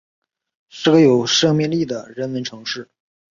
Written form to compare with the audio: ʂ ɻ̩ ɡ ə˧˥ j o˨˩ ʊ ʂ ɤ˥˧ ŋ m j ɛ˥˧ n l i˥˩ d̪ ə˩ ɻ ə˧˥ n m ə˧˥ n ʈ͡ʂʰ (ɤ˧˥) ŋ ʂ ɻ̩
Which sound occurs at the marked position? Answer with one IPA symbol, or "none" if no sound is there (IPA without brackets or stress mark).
ɤ˧˥